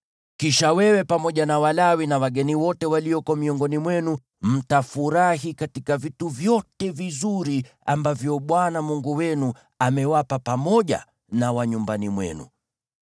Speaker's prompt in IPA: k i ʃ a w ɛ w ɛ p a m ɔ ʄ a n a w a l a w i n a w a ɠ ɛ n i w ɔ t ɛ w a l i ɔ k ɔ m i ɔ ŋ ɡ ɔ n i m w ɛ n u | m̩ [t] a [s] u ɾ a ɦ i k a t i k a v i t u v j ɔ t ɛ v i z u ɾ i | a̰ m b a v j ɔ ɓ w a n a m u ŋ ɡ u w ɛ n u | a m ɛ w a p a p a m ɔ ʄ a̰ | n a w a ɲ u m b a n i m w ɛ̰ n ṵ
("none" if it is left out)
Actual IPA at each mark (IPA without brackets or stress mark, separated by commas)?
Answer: t, f